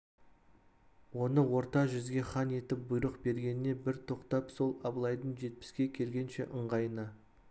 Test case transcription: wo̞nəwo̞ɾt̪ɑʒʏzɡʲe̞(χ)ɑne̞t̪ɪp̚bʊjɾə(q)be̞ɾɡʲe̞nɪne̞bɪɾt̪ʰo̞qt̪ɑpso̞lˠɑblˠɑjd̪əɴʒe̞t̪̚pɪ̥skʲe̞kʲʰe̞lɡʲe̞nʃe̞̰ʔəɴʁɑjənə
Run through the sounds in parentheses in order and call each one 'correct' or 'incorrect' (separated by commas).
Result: correct, correct